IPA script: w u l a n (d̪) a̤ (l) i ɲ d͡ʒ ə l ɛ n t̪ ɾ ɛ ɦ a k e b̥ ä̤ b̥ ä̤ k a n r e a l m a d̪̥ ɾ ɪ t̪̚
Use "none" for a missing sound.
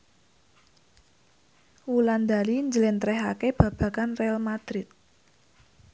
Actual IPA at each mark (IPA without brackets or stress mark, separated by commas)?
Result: d̪, l